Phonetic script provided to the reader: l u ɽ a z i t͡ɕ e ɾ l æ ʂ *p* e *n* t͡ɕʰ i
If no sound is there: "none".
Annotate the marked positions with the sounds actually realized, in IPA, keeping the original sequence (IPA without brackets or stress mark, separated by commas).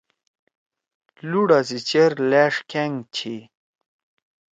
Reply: k, ŋ